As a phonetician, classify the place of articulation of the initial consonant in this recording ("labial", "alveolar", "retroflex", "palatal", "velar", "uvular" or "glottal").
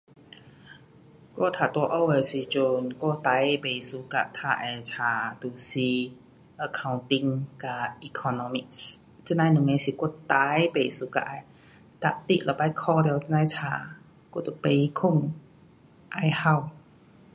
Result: velar